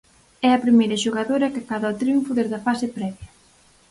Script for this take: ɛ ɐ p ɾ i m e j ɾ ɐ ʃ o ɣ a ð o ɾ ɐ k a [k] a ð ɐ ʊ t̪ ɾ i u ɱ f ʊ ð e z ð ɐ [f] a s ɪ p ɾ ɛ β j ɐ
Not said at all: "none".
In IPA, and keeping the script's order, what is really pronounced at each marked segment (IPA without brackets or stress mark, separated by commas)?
k, f